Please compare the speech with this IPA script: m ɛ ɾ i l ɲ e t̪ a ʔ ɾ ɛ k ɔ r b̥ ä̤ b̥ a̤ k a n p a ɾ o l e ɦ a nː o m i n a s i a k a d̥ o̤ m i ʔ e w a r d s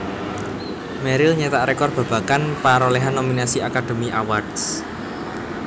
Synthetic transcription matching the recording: m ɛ ɾ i l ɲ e t̪ a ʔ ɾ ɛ k ɔ r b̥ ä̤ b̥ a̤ k a n p a ɾ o l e ɦ a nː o m i n a s i a k a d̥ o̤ m i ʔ a w a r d s